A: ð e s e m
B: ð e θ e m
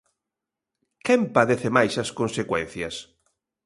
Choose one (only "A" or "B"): B